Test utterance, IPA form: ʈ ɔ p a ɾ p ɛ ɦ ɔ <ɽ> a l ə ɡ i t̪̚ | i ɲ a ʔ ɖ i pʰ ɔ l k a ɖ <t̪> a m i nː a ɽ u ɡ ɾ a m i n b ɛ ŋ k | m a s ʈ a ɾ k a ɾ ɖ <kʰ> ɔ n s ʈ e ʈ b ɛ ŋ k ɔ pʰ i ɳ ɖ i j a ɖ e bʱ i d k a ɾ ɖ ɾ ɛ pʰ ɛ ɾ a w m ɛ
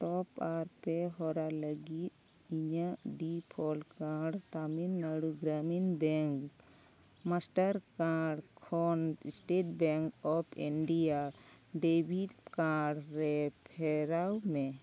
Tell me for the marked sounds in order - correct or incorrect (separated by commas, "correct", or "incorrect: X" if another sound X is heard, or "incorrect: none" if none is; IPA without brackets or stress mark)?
incorrect: ɾ, correct, correct